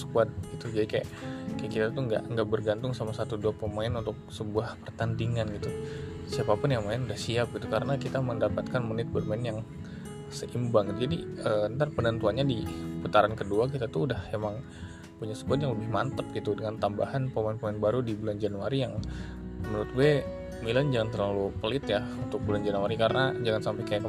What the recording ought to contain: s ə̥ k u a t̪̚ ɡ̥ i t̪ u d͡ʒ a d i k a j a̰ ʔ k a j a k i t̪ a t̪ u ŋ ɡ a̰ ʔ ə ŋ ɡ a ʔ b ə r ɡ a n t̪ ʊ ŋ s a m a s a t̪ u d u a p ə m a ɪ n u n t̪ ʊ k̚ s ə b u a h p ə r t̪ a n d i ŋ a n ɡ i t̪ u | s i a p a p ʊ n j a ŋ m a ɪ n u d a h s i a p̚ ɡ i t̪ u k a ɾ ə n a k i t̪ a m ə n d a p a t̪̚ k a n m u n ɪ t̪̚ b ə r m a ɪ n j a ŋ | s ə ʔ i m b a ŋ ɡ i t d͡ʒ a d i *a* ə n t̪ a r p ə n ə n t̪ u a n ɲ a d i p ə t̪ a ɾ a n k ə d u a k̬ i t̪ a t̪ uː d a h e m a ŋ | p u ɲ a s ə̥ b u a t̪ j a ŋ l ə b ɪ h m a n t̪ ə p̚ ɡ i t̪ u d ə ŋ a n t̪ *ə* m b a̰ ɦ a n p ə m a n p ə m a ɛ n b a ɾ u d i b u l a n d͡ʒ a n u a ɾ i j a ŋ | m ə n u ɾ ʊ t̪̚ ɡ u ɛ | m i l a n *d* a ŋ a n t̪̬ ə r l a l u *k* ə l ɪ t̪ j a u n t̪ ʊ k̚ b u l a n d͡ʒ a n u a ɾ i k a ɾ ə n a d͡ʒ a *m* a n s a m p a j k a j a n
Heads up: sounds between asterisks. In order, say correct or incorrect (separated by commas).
incorrect, incorrect, incorrect, incorrect, incorrect